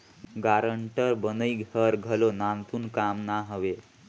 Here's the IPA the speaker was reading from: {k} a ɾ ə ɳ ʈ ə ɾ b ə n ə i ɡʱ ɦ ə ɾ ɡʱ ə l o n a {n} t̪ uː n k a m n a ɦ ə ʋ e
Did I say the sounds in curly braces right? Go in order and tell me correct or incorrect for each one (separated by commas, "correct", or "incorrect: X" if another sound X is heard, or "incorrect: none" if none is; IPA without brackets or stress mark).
incorrect: ɡ, correct